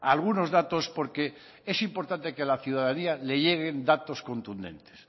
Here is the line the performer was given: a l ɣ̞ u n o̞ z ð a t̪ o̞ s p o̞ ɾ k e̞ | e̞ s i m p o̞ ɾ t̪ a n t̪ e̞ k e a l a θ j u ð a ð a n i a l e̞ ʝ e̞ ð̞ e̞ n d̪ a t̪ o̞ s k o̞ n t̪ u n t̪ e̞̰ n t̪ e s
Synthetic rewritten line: a l ɣ̞ u n o̞ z ð a t̪ o̞ s p o̞ ɾ k e̞ | e̞ s i m p o̞ ɾ t̪ a n t̪ e̞ k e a l a θ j u ð a ð a n i a l e̞ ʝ e̞ ɣ̞ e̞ n d̪ a t̪ o̞ s k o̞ n t̪ u n d̪ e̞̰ n t̪ e s